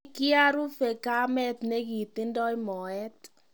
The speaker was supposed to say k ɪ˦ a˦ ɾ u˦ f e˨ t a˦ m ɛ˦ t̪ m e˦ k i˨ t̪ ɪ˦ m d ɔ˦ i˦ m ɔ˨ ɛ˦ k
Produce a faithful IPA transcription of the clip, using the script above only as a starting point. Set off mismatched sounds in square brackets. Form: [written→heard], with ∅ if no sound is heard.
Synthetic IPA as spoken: k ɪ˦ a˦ ɾ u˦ f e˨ [t→k] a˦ m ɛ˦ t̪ [m→n] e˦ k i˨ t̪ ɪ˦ [m→n] d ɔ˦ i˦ m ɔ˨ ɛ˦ [k→t]